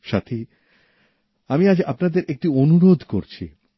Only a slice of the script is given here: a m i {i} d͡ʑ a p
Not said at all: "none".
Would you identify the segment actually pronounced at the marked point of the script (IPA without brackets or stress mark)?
a